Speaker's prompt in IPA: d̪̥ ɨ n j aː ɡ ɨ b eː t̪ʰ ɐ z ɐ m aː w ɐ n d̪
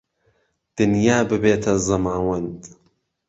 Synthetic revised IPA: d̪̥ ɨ n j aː b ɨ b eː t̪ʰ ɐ z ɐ m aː w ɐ n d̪